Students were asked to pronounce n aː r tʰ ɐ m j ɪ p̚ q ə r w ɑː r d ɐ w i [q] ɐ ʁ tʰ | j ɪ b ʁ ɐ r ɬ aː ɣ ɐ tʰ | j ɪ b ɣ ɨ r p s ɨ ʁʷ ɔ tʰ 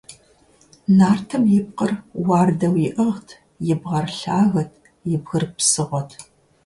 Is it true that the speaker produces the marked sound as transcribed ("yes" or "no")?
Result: no